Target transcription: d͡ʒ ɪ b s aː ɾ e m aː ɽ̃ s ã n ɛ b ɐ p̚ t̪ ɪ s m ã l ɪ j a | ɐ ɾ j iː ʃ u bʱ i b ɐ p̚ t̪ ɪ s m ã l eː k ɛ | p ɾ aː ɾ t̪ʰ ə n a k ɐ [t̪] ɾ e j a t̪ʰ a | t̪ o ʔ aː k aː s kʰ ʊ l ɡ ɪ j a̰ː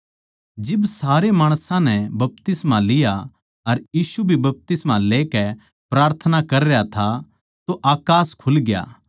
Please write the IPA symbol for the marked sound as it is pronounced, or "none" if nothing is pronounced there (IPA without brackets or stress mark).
none